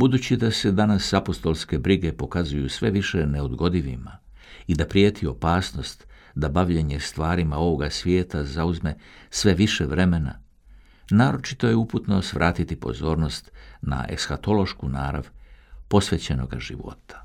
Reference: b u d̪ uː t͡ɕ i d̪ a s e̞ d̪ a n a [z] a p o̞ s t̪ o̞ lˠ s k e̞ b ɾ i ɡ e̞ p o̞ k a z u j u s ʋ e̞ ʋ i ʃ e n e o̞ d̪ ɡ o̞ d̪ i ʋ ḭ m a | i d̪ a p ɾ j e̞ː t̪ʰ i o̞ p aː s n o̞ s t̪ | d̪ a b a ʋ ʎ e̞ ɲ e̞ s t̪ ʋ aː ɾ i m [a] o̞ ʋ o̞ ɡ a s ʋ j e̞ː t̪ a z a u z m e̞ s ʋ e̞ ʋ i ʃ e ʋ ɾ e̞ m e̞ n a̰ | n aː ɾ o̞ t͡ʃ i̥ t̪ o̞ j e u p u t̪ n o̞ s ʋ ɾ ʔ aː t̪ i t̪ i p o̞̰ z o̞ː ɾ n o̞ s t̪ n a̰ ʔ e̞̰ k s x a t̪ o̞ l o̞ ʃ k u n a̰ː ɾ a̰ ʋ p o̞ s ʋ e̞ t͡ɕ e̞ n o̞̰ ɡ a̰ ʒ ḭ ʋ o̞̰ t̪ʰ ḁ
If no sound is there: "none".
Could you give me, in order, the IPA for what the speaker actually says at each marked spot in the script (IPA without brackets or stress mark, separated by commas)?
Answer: s, a